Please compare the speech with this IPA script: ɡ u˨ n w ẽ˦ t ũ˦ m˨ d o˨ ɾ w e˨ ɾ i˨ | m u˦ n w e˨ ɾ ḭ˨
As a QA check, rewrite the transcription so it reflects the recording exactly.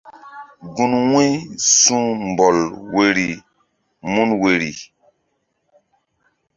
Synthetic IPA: ɡ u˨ n w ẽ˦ s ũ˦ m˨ b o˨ l w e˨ ɾ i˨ | m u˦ n w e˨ ɾ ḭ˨